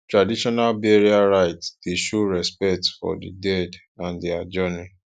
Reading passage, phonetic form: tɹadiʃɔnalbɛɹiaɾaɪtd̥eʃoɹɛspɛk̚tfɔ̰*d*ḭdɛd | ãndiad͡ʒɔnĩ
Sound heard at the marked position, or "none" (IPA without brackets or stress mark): d